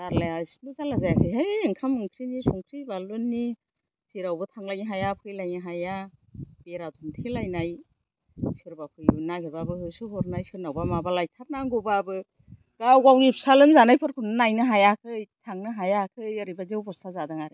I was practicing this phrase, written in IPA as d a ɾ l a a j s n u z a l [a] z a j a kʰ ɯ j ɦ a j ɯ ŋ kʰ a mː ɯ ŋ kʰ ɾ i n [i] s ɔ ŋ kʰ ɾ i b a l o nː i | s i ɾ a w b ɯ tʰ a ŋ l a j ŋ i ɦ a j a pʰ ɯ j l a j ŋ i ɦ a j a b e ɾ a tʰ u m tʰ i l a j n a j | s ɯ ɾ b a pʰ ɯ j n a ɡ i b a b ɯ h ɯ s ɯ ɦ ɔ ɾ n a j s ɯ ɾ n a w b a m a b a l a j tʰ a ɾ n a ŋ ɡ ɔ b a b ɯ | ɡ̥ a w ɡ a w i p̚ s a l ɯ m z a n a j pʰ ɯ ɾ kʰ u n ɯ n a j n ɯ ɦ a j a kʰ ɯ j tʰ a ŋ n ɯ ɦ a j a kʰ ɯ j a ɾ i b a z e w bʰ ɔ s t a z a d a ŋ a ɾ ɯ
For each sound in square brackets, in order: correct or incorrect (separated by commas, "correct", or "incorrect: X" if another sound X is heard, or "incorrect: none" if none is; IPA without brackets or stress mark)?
correct, correct